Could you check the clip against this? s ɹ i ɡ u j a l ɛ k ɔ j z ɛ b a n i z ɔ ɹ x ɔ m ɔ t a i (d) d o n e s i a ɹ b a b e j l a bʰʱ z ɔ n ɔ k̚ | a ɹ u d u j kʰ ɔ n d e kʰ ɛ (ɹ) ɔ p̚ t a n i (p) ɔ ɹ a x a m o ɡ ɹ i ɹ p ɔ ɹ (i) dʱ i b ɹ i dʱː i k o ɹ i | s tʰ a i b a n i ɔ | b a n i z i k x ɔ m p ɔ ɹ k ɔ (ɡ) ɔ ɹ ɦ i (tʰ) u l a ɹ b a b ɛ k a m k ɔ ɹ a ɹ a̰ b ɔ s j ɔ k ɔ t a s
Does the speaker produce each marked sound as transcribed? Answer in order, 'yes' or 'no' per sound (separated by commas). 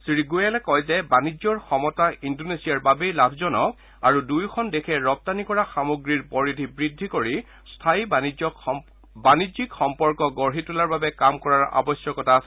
no, yes, no, yes, yes, no